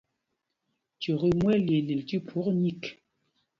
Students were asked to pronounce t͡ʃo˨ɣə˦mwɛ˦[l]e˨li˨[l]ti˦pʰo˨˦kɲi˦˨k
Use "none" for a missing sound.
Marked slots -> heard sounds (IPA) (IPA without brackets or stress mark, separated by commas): l, l